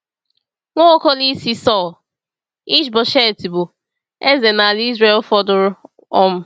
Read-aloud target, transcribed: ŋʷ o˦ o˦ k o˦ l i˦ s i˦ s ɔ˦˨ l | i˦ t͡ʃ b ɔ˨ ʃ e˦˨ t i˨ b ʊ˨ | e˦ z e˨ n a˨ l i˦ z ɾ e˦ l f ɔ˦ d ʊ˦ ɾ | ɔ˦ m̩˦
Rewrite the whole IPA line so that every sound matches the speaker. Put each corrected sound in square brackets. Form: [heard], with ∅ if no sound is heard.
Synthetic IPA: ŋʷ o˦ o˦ k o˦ l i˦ s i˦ s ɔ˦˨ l | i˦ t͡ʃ b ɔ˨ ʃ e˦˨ t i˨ b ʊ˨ | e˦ z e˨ n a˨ l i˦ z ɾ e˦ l f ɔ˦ d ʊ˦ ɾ | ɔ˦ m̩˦